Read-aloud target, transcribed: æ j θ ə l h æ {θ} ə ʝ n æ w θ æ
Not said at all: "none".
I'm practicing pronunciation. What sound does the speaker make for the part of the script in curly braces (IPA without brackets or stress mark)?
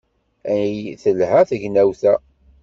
θ